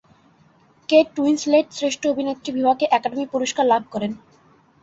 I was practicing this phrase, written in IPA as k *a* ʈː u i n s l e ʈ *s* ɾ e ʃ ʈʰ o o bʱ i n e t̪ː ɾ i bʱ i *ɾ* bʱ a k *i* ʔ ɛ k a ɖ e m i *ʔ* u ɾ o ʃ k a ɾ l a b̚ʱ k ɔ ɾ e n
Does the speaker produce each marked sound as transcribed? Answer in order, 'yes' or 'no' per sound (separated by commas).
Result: no, yes, no, no, no